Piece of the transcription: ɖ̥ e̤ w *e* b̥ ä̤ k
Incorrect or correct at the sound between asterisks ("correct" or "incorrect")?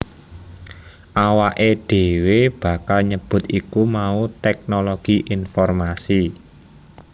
correct